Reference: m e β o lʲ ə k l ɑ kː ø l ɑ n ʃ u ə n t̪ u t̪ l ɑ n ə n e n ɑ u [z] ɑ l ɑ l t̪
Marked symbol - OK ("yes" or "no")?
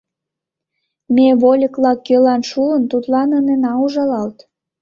no